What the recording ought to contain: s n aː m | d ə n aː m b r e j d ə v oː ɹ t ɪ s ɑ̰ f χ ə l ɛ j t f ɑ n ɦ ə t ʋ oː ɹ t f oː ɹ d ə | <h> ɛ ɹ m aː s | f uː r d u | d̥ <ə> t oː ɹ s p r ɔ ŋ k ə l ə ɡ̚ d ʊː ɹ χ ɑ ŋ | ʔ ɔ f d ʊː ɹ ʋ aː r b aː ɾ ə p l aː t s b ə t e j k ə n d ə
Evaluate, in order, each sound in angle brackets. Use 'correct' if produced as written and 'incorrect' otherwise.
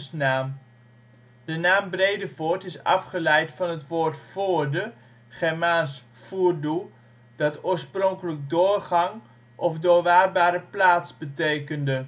incorrect, incorrect

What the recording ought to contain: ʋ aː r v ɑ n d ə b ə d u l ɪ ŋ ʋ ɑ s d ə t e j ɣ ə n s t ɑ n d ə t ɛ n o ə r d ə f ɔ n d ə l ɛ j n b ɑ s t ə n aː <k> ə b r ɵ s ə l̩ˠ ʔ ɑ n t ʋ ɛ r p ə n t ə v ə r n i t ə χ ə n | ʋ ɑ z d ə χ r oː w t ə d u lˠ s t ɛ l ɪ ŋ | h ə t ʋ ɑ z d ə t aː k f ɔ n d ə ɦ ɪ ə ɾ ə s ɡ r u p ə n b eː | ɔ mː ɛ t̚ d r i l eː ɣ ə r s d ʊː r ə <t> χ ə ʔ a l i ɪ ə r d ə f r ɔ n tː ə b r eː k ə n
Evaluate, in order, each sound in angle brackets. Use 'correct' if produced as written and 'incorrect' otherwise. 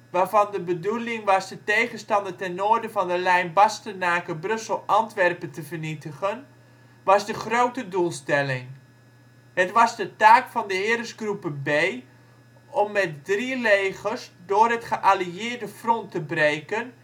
correct, correct

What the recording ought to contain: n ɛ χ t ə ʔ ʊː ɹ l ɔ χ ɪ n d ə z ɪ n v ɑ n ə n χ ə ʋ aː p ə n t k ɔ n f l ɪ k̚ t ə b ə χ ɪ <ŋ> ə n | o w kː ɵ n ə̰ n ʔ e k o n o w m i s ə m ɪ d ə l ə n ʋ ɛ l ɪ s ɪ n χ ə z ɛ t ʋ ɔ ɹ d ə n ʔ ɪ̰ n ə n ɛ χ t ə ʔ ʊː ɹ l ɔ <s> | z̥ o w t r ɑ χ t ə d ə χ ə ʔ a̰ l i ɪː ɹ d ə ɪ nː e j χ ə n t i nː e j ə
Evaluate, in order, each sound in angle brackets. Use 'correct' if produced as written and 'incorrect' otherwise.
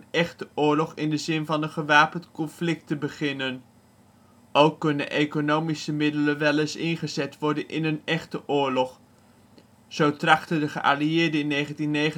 incorrect, incorrect

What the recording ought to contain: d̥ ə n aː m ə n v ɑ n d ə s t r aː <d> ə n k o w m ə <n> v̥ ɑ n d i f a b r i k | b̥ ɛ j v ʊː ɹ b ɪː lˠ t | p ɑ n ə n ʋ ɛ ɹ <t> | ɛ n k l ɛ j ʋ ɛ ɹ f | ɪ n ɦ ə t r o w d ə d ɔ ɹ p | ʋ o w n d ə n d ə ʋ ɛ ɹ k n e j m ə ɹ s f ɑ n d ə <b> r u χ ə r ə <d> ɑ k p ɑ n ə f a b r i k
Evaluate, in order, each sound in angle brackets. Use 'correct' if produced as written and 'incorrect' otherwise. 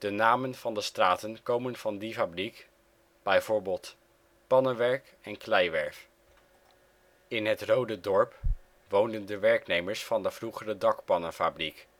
incorrect, correct, incorrect, incorrect, correct

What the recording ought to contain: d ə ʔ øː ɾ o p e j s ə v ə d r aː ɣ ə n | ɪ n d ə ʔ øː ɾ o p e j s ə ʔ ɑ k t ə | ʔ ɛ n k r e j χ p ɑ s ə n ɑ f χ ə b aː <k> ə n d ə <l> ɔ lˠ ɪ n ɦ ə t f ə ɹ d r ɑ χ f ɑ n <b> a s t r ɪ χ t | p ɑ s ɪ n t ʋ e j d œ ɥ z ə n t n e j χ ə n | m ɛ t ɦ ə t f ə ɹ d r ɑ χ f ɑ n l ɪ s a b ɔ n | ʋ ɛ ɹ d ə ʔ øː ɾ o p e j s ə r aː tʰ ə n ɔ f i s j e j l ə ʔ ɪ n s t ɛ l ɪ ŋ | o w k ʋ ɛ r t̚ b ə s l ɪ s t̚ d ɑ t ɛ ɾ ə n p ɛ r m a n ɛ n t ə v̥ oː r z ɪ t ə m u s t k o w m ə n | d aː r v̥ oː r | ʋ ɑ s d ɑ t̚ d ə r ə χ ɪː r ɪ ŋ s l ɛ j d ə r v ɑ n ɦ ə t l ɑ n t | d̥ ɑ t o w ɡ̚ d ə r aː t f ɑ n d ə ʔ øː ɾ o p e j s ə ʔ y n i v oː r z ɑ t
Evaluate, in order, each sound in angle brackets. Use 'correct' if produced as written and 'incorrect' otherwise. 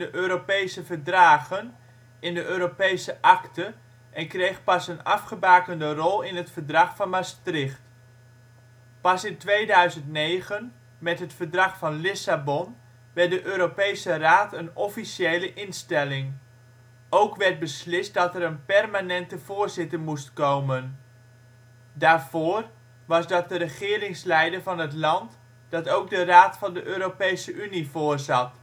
correct, incorrect, incorrect

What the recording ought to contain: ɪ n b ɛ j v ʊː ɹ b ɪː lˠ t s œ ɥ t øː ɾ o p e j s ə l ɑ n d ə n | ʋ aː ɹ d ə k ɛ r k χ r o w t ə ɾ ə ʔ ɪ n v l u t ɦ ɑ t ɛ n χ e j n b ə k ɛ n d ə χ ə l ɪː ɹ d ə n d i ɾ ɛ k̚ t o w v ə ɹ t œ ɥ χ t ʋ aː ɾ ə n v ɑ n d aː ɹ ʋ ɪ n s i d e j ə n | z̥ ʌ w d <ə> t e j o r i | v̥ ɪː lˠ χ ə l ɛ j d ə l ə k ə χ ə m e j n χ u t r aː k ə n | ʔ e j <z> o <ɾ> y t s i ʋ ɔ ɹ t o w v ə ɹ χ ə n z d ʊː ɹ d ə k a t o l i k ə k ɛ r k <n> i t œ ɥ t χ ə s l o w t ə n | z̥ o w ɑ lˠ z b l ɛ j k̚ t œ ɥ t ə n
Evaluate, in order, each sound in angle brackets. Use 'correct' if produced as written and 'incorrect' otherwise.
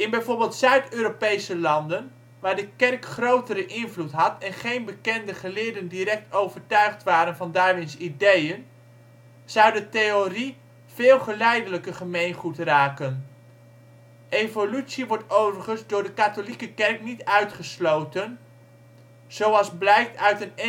correct, incorrect, incorrect, correct

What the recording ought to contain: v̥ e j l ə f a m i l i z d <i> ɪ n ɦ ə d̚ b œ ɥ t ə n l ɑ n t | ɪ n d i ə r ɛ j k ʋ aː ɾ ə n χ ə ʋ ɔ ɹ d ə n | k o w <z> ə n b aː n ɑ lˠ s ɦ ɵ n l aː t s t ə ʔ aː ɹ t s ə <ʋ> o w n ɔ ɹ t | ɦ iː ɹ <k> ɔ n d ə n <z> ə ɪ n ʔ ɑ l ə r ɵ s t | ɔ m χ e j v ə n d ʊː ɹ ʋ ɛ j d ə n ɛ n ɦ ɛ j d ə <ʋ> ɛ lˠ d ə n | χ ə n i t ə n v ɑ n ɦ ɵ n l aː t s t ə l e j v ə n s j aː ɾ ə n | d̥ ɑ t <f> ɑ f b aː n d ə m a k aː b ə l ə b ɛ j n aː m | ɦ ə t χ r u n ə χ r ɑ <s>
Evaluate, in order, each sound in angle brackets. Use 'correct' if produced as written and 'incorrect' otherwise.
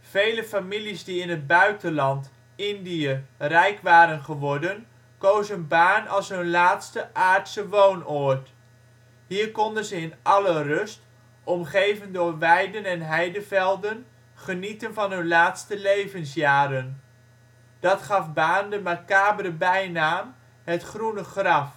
correct, correct, correct, correct, correct, incorrect, incorrect, incorrect

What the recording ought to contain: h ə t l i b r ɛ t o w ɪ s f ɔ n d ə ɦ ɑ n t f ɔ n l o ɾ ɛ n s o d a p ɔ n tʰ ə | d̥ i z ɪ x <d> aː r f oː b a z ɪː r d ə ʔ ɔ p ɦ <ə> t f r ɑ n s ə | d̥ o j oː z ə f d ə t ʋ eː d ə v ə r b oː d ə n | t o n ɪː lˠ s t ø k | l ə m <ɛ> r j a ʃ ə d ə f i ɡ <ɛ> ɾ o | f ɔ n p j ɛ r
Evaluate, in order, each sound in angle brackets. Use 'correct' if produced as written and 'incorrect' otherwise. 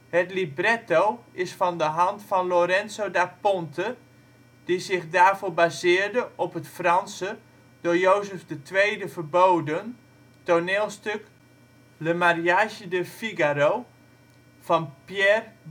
correct, correct, incorrect, incorrect

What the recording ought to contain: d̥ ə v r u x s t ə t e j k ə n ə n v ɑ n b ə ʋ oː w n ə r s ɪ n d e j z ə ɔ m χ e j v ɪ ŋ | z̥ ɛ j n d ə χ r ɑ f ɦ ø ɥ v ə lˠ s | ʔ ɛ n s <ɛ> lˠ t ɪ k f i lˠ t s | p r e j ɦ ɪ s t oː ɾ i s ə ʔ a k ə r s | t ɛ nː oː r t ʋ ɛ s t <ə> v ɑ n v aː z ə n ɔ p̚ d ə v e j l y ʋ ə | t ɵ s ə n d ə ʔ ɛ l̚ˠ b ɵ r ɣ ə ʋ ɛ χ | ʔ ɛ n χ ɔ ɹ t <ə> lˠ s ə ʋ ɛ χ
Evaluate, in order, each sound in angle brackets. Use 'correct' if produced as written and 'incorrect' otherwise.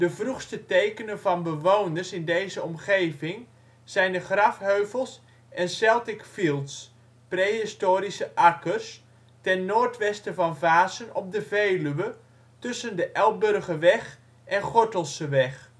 correct, correct, correct

